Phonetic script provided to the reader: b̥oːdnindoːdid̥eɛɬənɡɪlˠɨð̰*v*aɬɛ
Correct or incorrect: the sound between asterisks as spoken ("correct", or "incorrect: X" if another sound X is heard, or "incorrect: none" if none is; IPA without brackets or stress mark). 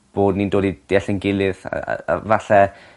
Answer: correct